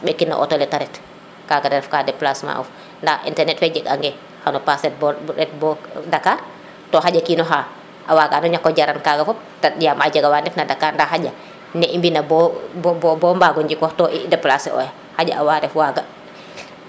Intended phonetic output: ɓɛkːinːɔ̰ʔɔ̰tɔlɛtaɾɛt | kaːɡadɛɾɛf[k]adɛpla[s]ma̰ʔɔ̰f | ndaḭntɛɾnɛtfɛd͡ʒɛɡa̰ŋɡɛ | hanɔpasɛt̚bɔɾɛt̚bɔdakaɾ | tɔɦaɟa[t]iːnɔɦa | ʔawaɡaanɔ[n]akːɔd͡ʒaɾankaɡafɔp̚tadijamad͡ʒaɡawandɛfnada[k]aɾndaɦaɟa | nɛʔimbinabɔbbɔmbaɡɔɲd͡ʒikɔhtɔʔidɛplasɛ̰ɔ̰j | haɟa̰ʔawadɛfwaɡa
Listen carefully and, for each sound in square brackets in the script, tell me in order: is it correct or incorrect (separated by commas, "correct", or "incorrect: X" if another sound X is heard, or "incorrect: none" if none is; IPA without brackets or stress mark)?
correct, correct, incorrect: k, incorrect: ɲ, correct